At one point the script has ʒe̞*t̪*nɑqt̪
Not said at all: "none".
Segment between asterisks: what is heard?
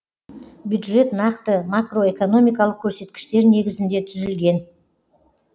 t̪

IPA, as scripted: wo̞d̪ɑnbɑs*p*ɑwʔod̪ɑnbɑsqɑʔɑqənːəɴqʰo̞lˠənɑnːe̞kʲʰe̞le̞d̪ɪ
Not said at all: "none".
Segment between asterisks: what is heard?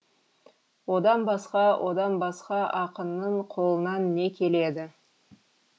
q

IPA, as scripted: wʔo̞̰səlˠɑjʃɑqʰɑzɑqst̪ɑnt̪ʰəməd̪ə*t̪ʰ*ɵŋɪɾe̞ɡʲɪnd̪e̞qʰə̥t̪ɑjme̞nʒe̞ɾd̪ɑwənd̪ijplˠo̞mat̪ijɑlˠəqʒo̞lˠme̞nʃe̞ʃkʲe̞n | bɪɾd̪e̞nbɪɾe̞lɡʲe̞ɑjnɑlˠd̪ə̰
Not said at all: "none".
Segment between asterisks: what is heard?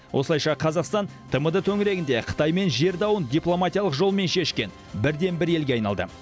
t̪ʰ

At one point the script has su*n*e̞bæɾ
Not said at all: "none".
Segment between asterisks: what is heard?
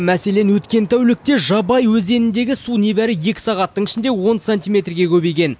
n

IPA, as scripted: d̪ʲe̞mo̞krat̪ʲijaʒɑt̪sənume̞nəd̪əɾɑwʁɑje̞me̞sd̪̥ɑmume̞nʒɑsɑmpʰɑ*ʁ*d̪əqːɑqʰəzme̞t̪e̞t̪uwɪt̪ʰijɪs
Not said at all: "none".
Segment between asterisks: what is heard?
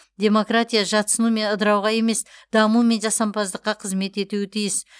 z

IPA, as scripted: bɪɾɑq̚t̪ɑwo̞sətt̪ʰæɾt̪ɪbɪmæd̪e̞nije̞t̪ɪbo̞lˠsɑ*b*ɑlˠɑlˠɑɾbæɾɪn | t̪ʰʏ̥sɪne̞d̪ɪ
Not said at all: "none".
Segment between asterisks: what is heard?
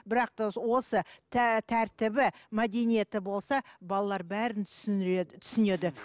b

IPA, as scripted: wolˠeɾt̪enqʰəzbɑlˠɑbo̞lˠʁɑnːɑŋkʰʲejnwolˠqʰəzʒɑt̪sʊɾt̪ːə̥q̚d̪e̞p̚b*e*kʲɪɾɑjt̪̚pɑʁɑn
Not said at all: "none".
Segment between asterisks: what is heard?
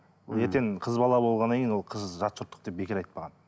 e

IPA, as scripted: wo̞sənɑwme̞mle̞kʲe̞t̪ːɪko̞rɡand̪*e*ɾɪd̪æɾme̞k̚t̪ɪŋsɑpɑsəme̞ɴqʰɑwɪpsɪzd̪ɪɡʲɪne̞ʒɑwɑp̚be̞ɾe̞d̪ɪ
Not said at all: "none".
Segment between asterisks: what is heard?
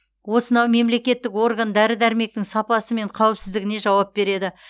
æ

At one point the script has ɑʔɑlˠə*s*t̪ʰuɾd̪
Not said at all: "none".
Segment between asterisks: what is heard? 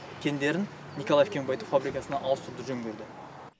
s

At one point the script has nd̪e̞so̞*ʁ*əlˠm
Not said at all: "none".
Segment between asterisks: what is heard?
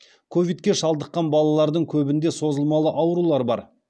z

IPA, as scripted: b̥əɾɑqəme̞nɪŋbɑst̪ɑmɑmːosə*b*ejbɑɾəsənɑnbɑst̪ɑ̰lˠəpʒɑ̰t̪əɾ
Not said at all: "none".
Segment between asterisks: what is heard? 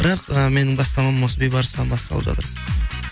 b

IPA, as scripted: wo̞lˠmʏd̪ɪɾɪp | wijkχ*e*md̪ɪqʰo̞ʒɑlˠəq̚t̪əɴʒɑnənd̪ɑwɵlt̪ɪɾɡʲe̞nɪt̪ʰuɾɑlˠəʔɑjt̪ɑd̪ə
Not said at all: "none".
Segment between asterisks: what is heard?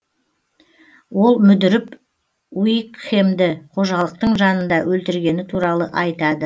e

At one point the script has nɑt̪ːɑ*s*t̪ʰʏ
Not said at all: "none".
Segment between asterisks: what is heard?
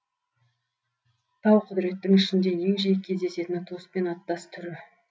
s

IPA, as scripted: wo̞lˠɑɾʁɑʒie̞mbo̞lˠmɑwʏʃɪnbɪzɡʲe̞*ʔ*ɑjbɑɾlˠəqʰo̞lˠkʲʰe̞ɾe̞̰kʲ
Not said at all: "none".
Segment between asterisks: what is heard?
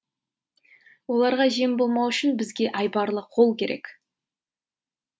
ʔ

